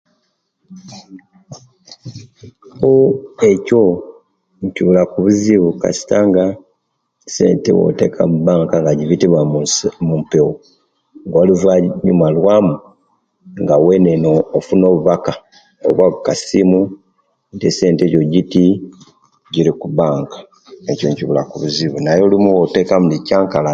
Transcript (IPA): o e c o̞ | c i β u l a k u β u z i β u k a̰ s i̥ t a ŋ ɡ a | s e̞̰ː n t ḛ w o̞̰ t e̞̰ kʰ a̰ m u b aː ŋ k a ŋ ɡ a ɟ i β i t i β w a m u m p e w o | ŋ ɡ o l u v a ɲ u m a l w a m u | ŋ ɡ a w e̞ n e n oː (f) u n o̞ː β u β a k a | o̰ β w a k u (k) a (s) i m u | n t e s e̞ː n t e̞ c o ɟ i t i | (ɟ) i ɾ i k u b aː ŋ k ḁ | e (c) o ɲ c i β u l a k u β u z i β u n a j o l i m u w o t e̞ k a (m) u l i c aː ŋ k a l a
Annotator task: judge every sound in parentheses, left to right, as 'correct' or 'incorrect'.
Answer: correct, correct, correct, correct, correct, correct

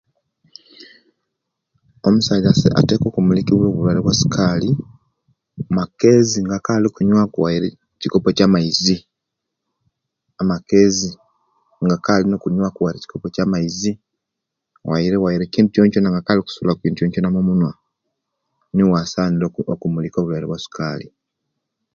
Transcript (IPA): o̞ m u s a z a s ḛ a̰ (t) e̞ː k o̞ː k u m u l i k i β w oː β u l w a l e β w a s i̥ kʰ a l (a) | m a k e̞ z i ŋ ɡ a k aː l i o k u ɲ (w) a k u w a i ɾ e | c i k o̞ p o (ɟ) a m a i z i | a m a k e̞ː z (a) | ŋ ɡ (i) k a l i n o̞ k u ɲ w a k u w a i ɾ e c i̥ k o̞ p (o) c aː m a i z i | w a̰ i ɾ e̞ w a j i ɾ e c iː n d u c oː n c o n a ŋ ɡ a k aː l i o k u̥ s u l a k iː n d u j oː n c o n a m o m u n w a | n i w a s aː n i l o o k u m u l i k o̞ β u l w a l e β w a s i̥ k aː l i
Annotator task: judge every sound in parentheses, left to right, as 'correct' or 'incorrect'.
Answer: correct, incorrect, correct, incorrect, incorrect, incorrect, correct

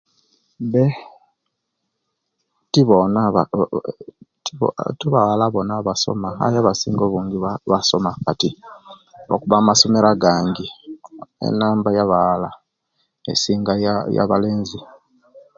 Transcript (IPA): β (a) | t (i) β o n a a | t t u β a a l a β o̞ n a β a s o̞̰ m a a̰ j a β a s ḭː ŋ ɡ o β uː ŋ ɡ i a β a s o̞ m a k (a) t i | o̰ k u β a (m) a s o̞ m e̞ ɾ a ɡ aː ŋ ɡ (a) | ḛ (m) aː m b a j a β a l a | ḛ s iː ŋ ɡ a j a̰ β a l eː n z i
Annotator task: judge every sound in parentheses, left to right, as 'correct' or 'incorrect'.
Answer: incorrect, correct, correct, correct, incorrect, incorrect

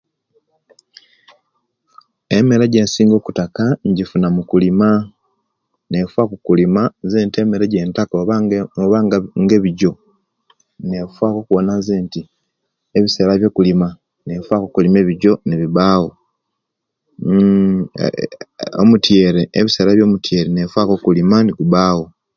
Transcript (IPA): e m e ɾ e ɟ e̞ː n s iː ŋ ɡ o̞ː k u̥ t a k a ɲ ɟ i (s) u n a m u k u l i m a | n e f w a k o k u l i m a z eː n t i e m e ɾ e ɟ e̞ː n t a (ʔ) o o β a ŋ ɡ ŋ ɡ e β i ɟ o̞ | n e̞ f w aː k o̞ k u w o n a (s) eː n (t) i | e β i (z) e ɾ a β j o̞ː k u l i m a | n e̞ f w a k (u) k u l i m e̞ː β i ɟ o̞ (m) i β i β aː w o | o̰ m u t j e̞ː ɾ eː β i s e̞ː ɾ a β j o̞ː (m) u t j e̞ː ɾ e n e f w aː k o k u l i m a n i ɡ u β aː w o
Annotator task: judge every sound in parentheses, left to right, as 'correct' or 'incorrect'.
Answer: incorrect, incorrect, incorrect, correct, incorrect, incorrect, incorrect, correct

